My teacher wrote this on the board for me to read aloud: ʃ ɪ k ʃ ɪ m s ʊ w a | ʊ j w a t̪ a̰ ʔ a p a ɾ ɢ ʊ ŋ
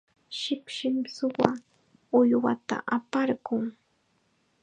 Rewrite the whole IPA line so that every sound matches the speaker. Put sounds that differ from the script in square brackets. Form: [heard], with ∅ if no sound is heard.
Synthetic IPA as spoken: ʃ ɪ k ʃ ɪ m s ʊ w a | ʊ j w a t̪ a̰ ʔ a p a ɾ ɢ ʊ ŋ